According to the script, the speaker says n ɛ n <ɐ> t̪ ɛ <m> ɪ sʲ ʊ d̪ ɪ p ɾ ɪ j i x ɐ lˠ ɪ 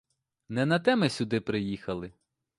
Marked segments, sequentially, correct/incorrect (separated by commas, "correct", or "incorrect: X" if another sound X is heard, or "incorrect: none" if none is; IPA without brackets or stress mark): correct, correct